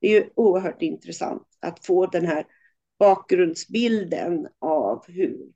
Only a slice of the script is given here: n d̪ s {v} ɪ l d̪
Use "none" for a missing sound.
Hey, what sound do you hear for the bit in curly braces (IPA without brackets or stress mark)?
b